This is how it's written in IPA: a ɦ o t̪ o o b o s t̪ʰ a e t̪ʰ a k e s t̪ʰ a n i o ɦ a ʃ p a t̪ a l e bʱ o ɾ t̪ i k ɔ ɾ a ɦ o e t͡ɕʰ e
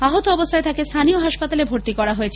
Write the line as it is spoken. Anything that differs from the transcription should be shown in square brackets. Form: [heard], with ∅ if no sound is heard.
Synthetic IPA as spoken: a ɦ o t̪ o [ɔ] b o s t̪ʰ a e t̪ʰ a k e s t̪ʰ a n i o ɦ a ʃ p a t̪ a l e bʱ o ɾ t̪ i k ɔ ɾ a ɦ o e t͡ɕʰ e

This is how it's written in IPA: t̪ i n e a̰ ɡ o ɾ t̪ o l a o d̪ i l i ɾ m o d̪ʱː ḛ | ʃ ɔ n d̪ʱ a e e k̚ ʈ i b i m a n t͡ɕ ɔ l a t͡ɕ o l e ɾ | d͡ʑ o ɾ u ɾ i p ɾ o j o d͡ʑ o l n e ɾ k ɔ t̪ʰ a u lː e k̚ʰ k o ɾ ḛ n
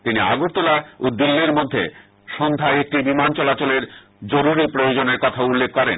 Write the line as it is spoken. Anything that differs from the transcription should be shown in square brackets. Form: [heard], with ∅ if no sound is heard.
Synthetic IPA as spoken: t̪ i n [i] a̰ ɡ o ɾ t̪ o l a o d̪ i [lː] i ɾ m o d̪ʱː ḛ | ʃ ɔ n d̪ʱ a e e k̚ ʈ i b i m a n t͡ɕ ɔ l a t͡ɕ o l e ɾ | d͡ʑ o ɾ u ɾ i p ɾ o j o d͡ʑ o [∅] n e ɾ k ɔ t̪ʰ a u lː e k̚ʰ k [ɔ] ɾ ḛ n

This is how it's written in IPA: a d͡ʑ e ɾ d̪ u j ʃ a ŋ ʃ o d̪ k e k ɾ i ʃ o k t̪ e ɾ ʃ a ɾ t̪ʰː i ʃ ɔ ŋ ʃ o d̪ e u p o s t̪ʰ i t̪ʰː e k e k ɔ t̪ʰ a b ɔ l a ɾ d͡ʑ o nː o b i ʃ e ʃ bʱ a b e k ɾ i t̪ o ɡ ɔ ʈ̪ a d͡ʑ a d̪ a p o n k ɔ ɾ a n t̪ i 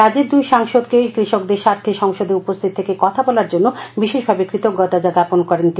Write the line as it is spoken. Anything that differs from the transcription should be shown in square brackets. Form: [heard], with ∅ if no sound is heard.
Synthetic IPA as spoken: a d͡ʑ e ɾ d̪ u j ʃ a ŋ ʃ o d̪ k e k ɾ i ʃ o k [d̪] e ɾ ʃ a ɾ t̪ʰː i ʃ ɔ ŋ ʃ o d̪ e u p o s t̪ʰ i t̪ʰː e k e k ɔ t̪ʰ a b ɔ l a ɾ d͡ʑ o nː o b i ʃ e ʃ bʱ a b e k ɾ i t̪ o ɡ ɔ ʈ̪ a d͡ʑ a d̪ a p o n k ɔ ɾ [e] n t̪ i

